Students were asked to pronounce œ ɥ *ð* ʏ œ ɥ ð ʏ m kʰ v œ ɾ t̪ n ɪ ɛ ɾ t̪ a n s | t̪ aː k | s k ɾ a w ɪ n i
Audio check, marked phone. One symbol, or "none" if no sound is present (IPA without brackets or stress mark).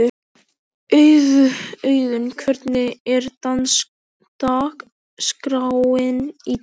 ð